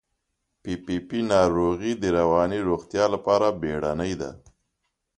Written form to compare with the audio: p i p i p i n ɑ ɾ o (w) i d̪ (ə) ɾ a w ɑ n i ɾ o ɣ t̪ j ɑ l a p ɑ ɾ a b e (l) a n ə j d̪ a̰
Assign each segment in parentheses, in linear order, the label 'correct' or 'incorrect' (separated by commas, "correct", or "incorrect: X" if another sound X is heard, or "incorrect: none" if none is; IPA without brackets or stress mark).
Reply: incorrect: ɣ, correct, incorrect: ɽ